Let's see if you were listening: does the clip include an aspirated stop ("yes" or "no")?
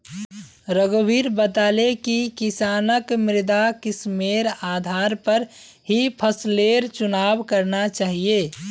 yes